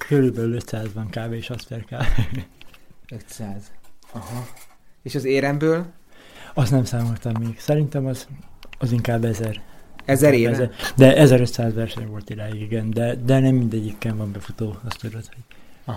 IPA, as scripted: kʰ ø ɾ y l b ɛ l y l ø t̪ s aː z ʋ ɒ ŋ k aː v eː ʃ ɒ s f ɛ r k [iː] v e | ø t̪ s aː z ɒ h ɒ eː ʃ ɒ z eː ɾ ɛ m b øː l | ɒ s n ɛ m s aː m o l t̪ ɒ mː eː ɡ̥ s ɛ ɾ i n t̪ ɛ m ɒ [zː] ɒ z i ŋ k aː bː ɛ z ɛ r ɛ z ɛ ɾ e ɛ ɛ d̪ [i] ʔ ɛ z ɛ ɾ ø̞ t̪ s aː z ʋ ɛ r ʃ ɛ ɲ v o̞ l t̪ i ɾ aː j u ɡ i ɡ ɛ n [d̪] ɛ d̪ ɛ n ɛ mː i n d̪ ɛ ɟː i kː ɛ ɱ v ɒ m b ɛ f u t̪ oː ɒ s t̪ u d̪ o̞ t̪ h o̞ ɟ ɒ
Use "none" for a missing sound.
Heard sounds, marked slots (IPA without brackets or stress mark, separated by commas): aː, z, ɛ, d̪